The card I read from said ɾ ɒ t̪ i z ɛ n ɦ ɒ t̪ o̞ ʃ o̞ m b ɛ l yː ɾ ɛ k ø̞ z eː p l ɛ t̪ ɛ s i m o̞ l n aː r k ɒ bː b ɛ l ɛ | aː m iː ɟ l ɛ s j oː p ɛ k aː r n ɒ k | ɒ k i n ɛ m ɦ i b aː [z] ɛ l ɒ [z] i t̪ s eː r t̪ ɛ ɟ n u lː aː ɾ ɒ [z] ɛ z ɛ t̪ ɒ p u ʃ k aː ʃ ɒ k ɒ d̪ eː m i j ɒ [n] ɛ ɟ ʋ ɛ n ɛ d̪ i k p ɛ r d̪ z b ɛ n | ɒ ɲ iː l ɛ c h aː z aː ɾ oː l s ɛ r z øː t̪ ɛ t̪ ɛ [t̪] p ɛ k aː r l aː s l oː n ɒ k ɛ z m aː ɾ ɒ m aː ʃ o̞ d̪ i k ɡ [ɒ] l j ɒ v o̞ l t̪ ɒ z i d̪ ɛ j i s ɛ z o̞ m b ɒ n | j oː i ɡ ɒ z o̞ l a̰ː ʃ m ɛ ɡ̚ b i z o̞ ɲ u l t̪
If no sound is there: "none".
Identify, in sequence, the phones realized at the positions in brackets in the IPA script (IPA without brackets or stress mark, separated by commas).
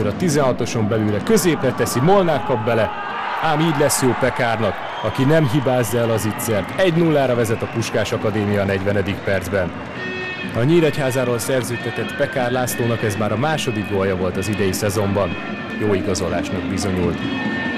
zː, z, v, n, t̪, o